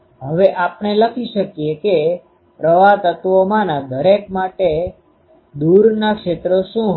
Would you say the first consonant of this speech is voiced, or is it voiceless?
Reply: voiced